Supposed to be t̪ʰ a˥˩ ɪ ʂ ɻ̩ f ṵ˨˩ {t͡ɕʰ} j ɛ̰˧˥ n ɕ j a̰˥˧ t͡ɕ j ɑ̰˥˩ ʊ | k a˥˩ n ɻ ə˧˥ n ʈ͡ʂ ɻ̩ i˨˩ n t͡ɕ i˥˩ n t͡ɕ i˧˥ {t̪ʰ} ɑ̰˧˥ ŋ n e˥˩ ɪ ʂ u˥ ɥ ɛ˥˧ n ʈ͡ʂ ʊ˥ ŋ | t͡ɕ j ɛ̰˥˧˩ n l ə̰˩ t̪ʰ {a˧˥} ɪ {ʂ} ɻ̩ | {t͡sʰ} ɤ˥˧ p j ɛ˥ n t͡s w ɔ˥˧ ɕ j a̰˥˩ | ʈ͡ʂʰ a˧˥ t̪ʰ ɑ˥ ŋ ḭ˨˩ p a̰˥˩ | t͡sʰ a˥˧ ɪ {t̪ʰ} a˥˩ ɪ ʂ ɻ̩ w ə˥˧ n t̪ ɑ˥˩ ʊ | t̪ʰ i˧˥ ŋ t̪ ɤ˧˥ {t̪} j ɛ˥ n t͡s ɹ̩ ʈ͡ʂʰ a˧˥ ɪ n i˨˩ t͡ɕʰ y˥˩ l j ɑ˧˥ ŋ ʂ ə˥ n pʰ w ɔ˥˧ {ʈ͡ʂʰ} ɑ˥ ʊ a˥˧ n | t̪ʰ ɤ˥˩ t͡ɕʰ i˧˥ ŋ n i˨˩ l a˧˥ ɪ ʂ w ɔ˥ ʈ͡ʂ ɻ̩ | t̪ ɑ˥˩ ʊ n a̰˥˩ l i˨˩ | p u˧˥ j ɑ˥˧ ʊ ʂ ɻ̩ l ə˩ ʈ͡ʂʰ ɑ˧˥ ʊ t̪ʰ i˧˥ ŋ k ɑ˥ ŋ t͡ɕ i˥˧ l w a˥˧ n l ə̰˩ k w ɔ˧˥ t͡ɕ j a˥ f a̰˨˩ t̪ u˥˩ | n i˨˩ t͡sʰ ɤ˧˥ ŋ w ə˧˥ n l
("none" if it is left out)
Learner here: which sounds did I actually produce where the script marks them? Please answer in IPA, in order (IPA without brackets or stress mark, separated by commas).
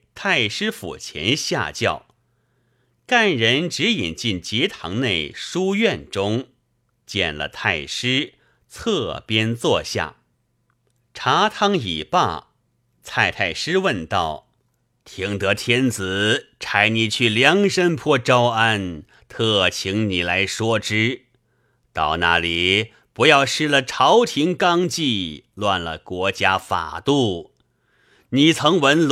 t͡ɕʰ, t̪ʰ, a˥˩, ʂ, t͡sʰ, t̪ʰ, t̪ʰ, ʈ͡ʂ